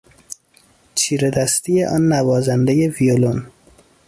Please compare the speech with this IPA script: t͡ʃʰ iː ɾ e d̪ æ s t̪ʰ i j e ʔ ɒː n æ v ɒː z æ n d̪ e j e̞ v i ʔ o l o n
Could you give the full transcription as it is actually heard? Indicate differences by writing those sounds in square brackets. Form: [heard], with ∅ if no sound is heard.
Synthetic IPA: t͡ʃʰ iː ɾ e d̪ æ s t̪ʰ i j e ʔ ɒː [nː] æ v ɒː z æ n d̪ e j e̞ v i [∅] o l o n